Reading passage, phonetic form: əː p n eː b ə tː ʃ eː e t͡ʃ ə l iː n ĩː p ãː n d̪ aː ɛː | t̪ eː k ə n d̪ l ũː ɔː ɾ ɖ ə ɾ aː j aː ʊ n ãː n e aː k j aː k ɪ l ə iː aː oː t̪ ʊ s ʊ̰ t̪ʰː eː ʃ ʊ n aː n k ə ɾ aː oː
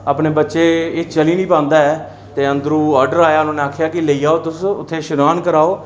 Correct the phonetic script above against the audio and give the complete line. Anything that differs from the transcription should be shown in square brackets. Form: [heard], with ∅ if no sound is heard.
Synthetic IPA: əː p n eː b ə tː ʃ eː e t͡ʃ ə l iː n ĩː p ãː n d̪ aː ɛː | t̪ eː [∅] ə n d̪ [ɾ] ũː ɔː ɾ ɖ ə ɾ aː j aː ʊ n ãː n e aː [kʰ] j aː k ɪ l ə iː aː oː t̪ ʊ s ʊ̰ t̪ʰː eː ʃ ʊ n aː n k ə ɾ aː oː